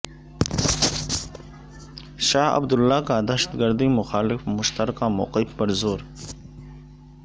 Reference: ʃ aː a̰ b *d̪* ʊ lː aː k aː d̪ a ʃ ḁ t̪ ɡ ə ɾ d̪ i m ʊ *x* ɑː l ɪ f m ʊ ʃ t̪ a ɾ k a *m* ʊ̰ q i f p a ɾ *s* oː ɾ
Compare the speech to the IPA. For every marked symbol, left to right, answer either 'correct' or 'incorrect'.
correct, correct, correct, incorrect: z

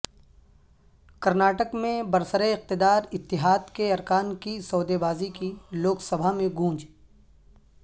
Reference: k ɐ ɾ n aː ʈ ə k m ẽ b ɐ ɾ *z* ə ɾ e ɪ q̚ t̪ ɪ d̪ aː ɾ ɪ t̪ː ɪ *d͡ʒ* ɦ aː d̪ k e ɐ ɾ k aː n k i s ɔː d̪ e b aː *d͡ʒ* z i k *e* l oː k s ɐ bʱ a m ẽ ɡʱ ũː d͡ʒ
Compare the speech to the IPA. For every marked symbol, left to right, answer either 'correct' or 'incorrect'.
incorrect: s, incorrect: none, incorrect: none, incorrect: i

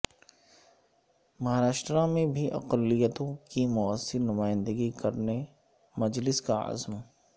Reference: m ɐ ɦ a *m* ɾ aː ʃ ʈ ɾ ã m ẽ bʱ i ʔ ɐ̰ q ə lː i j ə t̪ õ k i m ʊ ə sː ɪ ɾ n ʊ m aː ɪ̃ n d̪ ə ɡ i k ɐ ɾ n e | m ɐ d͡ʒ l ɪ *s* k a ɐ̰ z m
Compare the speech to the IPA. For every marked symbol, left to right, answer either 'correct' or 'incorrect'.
incorrect: none, correct

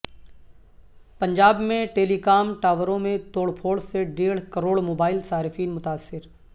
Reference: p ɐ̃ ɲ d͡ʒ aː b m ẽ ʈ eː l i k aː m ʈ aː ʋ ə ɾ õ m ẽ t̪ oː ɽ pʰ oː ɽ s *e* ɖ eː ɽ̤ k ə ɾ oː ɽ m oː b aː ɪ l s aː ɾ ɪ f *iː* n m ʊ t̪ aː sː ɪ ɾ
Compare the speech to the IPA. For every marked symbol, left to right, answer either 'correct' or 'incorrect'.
correct, correct

